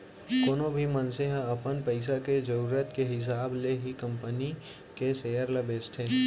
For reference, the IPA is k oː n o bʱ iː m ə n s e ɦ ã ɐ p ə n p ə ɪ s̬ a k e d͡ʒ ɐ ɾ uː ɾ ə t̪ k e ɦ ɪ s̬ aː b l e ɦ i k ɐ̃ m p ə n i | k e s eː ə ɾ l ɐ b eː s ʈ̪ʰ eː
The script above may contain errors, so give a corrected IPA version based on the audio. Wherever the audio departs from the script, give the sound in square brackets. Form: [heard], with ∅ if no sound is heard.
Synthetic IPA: k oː n o bʱ [i] m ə n s e ɦ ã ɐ p ə n p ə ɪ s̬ a k e d͡ʒ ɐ ɾ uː ɾ ə t̪ k e ɦ ɪ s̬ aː b l e ɦ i k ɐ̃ m p ə n i | k e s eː ə ɾ l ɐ b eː s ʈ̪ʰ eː